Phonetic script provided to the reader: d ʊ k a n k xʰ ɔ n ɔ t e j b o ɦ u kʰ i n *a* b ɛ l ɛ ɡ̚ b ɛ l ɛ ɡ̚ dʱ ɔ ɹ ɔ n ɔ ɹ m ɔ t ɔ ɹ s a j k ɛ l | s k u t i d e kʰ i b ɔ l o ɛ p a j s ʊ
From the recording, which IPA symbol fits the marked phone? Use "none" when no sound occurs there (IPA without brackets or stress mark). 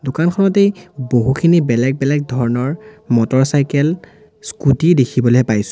i